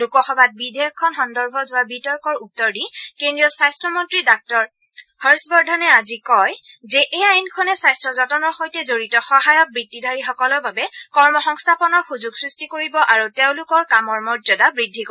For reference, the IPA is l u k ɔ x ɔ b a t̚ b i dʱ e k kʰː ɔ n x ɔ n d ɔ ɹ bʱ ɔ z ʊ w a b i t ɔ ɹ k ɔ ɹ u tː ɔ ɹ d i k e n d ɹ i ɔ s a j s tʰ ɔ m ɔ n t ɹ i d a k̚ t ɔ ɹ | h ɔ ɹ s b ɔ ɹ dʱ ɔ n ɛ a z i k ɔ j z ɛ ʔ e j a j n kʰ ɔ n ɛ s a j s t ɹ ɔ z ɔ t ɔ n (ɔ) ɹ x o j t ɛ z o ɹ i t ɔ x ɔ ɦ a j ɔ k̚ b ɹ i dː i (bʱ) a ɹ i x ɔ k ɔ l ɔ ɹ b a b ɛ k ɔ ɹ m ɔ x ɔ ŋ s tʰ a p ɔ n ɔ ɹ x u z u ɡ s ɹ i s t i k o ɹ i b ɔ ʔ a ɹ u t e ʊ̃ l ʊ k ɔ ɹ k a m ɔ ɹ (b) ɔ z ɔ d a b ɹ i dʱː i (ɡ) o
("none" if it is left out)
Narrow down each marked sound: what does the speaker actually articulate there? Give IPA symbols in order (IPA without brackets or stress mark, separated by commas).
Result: ɔ, dʱ, m, k